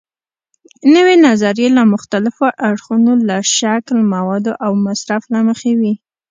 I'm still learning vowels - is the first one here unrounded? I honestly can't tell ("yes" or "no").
yes